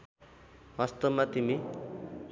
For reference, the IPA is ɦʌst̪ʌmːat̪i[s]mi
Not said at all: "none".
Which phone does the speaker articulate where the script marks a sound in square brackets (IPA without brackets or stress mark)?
none